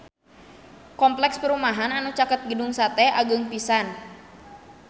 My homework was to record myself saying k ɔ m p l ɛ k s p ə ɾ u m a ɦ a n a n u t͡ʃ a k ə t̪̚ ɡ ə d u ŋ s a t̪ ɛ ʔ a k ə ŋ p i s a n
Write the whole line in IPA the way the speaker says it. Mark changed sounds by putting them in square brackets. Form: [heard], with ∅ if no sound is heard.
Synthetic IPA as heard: k ɔ m p l ɛ k s p ə ɾ u m a ɦ a n a n u t͡ʃ a k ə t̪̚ ɡ ə d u ŋ s a t̪ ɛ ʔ a [ɡ] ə ŋ p i s a n